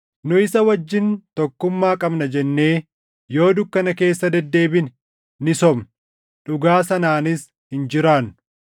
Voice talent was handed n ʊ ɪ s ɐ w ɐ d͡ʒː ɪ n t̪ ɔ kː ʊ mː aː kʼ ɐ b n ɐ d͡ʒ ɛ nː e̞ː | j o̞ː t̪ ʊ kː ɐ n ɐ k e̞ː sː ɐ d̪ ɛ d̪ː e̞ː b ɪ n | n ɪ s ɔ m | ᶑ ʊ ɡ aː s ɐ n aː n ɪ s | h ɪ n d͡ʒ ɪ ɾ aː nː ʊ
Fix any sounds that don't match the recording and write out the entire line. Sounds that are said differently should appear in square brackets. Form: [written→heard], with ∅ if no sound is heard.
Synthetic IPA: n ʊ ɪ s ɐ w ɐ d͡ʒː ɪ n t̪ ɔ kː ʊ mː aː kʼ ɐ b n ɐ d͡ʒ ɛ nː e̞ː | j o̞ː [t̪→d̪] ʊ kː ɐ n ɐ k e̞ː sː ɐ d̪ ɛ d̪ː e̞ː b ɪ n | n ɪ s ɔ m | ᶑ ʊ ɡ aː s ɐ n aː n ɪ s | h ɪ n d͡ʒ ɪ ɾ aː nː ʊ